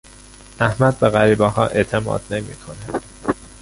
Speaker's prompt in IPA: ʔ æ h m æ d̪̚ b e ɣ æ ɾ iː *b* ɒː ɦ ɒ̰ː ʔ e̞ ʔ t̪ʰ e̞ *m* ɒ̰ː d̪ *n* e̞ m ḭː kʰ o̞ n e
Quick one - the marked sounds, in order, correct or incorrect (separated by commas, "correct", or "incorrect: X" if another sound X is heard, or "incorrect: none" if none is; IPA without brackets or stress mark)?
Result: correct, correct, correct